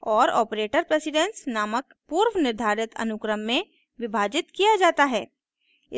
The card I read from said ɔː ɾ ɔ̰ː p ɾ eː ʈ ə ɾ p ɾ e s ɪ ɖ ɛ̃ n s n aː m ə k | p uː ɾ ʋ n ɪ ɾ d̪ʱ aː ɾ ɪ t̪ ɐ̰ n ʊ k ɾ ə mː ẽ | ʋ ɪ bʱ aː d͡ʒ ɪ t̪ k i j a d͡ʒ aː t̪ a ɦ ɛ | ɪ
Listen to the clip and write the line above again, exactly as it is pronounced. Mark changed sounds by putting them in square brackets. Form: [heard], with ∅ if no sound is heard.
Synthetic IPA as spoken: ɔː ɾ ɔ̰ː p ɾ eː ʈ ə ɾ p ɾ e s ɪ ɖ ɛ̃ n s n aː m ə k | p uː ɾ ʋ n ɪ ɾ d̪ʱ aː ɾ ɪ t̪ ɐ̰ n ʊ k ɾ ə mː ẽ | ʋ ɪ bʱ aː d͡ʒ ɪ t̪ k i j a d͡ʒ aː t̪ a ɦ [ɛː] | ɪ